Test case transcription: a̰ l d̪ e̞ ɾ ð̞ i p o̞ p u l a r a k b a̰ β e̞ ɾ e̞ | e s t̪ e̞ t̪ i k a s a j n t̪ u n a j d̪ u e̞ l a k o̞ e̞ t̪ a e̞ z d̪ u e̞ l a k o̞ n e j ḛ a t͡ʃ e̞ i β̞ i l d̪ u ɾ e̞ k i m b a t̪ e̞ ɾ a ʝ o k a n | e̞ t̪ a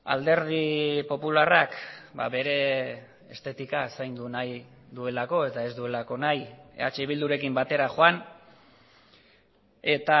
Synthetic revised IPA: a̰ l d̪ e̞ ɾ ð̞ i p o̞ p u l a r a k b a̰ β e̞ ɾ e̞ | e s t̪ e̞ t̪ i k a s a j n d̪ u n a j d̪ u e̞ l a k o̞ e̞ t̪ a e̞ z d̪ u e̞ l a k o̞ n a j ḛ a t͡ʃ e̞ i β̞ i l d̪ u ɾ e̞ k i m b a t̪ e̞ ɾ a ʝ o a n | e̞ t̪ a